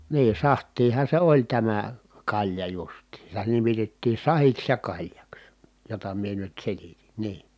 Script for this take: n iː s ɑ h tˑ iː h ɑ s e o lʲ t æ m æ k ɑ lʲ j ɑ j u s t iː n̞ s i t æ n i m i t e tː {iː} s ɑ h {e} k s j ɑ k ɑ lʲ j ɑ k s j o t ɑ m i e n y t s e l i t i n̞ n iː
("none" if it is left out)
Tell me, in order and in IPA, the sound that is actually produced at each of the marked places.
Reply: iː, i

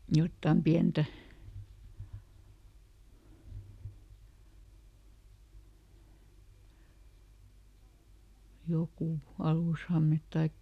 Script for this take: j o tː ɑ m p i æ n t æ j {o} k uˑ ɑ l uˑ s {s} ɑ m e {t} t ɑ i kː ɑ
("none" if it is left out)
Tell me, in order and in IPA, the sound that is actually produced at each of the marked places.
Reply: o, h, t

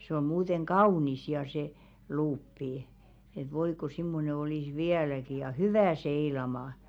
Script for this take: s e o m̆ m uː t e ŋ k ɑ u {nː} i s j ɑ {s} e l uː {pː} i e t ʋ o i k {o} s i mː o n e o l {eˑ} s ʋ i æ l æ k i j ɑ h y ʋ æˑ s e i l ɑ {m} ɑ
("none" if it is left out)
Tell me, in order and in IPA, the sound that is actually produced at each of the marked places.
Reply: n, s, pː, o, iˑ, m

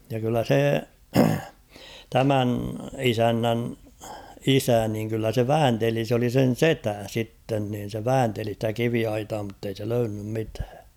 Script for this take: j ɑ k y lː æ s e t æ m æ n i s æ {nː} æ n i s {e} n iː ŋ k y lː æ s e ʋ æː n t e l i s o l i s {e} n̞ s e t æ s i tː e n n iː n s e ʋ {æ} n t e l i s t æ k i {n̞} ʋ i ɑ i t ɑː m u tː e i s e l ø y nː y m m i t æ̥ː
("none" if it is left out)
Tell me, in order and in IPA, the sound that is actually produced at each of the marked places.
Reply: nː, æ, e, æː, none

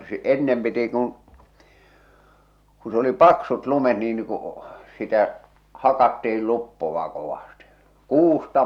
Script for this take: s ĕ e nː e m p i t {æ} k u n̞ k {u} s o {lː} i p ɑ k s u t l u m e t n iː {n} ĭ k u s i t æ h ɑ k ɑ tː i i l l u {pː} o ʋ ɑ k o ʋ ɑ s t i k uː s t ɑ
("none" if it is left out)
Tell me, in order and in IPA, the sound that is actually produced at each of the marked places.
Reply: i, u, l, n, pː

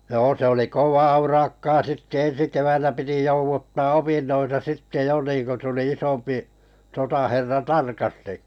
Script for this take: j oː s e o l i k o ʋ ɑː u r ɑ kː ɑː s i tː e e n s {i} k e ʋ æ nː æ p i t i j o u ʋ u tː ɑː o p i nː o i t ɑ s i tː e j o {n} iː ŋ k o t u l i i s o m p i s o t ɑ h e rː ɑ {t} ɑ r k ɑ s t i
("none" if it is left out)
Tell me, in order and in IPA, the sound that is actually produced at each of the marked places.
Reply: i, n, t

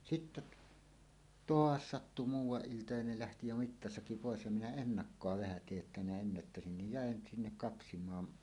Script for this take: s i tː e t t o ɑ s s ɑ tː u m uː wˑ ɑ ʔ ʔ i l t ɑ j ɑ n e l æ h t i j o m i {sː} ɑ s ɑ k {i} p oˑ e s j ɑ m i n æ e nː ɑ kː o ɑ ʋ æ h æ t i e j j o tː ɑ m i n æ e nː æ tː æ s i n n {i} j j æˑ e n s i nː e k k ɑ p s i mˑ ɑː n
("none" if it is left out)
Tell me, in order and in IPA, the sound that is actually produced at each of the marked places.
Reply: tː, i, i

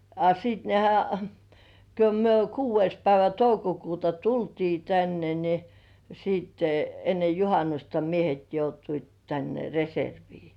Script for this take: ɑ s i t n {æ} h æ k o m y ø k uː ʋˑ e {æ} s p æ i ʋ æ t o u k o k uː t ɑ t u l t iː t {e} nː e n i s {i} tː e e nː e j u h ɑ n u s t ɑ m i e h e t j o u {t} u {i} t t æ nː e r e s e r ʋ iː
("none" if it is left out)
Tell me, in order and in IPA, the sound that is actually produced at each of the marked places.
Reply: e, i, æ, iː, t, i

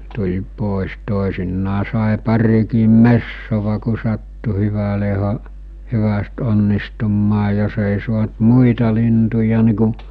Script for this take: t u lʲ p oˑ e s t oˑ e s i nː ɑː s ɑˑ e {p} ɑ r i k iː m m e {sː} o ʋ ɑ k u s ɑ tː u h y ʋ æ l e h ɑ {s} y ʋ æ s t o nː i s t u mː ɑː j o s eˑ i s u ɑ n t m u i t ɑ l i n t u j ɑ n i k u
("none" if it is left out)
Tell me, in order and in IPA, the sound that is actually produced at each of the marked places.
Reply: p, sː, h

